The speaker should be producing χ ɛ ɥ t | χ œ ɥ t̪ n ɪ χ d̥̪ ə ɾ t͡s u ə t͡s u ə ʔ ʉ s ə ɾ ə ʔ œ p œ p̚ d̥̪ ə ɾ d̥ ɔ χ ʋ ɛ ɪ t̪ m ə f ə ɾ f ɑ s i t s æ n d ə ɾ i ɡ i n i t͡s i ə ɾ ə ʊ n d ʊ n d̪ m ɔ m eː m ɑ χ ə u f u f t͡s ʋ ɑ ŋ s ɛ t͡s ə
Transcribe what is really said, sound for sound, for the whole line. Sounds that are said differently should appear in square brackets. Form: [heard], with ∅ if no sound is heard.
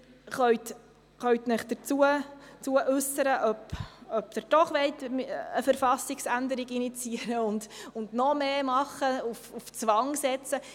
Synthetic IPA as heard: χ [œ] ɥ t | χ œ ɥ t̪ n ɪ χ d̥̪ ə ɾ t͡s u ə t͡s u ə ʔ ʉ s ə ɾ ə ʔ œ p œ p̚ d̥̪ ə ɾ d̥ ɔ χ ʋ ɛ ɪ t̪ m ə f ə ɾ f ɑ s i [k] s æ n d ə ɾ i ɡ i n i t͡s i ə ɾ ə ʊ n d ʊ n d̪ [n] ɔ m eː m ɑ χ ə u f u f t͡s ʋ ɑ ŋ s ɛ t͡s ə